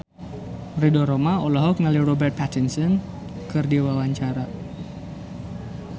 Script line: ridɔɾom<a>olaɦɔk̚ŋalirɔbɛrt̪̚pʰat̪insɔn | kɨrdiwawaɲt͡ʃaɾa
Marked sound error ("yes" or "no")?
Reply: no